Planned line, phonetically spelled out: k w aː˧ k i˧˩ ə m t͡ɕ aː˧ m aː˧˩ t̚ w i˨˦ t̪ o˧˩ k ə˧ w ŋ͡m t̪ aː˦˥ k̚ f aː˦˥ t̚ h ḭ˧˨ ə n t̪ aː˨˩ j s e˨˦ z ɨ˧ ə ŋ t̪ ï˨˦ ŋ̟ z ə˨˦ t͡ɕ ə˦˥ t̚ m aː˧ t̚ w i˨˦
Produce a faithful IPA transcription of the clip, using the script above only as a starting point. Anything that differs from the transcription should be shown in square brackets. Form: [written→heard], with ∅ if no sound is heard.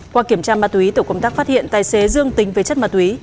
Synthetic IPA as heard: k w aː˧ k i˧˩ ə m t͡ɕ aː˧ m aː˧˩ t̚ w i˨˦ t̪ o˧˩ k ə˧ w ŋ͡m t̪ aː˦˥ k̚ f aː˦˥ t̚ h ḭ˧˨ ə n t̪ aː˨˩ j s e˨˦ z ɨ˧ ə ŋ t̪ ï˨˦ ŋ̟ [z→v] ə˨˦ t͡ɕ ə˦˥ t̚ m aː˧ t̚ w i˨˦